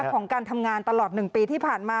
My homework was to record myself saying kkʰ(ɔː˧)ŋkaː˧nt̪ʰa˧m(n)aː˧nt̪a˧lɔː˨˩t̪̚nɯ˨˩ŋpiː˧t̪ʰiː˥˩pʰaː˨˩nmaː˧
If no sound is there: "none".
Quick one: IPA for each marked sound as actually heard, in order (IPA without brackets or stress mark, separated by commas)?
ɔː˩˦, ŋ